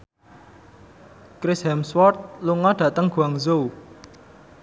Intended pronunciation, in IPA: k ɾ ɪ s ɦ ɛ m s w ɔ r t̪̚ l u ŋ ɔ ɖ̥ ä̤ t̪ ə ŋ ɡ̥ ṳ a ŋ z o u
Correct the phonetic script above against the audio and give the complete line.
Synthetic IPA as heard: k ɾ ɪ s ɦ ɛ m s w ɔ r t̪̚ l u ŋ ɔ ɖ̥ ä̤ t̪ ə ŋ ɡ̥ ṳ a ŋ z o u